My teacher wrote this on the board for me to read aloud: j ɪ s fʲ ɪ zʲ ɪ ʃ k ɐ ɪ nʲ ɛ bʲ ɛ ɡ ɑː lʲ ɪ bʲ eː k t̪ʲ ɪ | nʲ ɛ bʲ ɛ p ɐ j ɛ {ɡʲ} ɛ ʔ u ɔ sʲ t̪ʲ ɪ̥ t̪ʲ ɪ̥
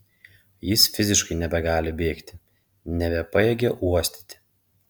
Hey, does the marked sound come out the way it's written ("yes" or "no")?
yes